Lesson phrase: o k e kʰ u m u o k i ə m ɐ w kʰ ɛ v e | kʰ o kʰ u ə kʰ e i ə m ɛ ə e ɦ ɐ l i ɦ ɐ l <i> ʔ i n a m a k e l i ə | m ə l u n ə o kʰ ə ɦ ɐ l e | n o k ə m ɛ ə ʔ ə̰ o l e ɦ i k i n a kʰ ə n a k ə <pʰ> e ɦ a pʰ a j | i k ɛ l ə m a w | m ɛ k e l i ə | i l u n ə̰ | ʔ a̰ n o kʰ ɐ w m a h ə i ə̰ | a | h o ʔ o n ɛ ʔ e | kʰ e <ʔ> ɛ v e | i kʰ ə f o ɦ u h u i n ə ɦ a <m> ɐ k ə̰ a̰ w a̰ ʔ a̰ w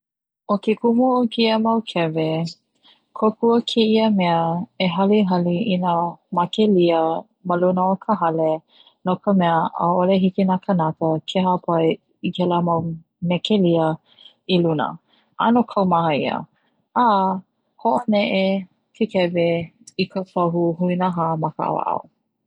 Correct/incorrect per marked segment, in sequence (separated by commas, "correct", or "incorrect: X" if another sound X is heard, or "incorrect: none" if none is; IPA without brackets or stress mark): correct, incorrect: kʰ, incorrect: k, correct